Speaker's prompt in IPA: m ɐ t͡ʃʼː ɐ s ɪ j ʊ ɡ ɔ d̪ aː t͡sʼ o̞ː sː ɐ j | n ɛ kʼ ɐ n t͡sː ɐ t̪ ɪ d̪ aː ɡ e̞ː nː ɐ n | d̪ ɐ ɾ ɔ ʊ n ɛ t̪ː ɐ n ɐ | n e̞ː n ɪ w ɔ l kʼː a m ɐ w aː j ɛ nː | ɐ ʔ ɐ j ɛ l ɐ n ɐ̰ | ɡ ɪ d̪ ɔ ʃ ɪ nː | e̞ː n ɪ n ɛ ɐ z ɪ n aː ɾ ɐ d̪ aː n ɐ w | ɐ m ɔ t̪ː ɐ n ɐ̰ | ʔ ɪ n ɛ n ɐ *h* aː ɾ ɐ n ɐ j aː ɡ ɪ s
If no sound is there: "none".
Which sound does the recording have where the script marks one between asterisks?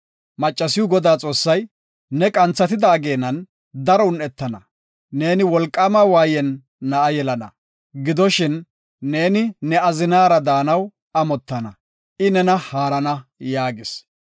h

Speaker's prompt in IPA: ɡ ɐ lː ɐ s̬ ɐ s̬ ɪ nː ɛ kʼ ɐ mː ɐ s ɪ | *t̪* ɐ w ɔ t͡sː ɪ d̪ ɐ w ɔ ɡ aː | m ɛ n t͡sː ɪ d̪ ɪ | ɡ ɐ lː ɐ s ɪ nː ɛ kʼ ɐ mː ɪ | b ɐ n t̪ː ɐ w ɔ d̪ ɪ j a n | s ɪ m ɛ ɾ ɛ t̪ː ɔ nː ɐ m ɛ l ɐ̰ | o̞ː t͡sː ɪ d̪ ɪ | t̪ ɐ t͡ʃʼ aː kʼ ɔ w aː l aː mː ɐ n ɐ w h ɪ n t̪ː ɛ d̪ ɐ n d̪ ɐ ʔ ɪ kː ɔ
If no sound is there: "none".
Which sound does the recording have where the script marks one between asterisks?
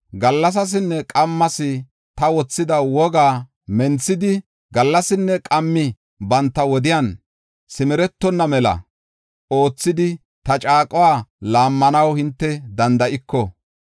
t̪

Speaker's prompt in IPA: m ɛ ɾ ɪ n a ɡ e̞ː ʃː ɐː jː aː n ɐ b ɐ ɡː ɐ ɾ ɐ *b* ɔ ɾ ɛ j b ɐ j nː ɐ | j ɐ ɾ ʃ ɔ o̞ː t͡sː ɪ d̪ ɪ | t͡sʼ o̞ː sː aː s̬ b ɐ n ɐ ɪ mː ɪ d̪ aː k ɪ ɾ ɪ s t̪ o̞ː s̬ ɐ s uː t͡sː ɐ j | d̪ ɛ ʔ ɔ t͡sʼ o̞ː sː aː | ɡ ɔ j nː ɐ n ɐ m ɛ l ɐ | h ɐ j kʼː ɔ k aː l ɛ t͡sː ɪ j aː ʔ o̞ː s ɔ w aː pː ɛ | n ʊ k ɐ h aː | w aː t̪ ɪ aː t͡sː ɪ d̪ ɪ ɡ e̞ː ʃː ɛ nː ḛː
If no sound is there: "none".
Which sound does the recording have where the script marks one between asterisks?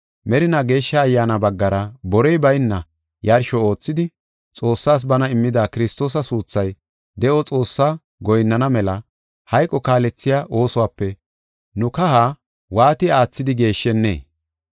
b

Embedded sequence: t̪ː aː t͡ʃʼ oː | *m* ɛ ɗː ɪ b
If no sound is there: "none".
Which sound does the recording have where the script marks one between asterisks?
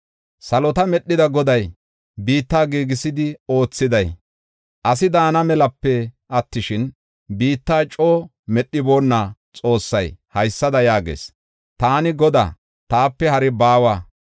m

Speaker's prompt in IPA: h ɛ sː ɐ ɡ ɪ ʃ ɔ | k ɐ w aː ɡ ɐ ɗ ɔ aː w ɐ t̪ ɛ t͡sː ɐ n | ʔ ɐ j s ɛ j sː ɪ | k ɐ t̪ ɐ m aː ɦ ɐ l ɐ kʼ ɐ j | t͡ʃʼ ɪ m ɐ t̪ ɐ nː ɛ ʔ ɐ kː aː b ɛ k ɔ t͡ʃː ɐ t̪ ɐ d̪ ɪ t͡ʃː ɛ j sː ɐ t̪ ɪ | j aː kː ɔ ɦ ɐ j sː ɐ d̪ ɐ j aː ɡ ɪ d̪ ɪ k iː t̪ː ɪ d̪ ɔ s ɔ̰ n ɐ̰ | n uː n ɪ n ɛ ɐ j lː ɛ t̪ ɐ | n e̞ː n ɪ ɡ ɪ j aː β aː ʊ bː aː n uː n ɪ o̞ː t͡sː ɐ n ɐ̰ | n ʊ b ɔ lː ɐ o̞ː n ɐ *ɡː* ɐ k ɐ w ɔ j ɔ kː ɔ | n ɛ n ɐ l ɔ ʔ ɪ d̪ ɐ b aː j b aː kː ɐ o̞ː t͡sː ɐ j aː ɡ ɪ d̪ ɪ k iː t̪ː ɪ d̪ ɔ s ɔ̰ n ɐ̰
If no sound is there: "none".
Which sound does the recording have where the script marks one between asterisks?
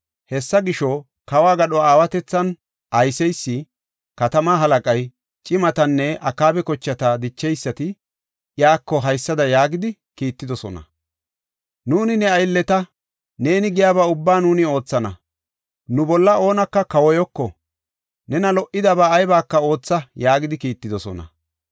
kː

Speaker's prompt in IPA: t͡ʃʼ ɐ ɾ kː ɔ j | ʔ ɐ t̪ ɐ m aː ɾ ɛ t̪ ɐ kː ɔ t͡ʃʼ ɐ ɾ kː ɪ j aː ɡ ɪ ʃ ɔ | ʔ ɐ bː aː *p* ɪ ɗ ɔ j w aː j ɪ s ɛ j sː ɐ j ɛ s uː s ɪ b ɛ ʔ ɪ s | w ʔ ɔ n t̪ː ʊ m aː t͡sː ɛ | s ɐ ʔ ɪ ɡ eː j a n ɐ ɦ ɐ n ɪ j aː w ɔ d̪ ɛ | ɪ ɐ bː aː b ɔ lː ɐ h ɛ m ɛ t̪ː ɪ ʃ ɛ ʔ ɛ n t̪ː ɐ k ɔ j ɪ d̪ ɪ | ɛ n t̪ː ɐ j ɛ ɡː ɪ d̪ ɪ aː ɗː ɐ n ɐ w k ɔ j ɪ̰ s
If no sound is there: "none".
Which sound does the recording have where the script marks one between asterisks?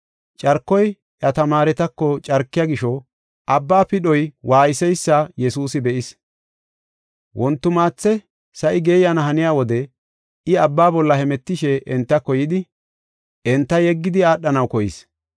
p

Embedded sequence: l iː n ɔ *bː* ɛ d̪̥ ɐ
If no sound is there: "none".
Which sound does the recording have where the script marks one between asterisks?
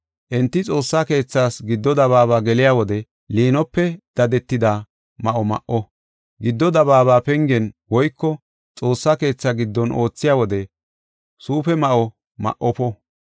pː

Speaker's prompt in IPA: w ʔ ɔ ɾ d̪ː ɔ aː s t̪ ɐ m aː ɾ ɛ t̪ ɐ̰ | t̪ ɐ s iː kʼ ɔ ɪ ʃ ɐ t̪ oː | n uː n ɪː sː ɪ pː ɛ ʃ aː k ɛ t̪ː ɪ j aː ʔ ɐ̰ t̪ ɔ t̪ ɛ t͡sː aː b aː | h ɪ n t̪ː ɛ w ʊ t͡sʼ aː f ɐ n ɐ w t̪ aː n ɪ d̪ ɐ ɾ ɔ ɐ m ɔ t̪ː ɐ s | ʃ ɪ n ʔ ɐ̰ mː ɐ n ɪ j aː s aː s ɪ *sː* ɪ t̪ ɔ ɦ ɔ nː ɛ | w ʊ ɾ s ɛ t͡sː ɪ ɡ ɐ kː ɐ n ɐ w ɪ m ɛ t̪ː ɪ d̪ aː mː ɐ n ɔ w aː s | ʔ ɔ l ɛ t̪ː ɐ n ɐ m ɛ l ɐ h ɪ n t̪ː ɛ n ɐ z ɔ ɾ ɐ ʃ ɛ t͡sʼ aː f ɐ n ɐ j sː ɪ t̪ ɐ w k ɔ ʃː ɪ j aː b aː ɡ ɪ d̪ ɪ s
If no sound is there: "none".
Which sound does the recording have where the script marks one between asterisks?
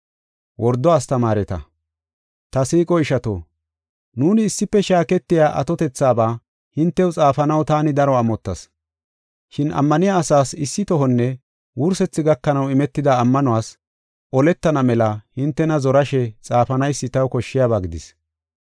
sː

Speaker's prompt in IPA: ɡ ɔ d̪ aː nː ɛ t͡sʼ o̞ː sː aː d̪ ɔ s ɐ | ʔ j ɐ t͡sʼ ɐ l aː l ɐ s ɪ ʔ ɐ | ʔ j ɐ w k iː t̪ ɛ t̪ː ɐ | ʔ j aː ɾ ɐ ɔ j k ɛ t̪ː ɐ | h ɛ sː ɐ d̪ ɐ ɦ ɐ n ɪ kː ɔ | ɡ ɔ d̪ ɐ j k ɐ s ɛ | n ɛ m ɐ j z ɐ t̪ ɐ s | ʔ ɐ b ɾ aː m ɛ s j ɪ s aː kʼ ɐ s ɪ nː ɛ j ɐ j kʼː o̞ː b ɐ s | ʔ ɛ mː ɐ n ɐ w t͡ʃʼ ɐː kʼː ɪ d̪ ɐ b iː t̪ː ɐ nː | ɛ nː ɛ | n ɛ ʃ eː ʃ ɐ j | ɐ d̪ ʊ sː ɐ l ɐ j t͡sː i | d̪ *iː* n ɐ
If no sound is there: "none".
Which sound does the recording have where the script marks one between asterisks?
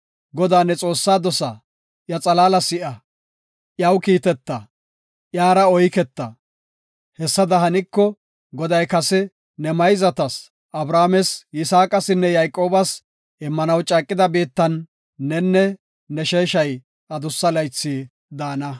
aː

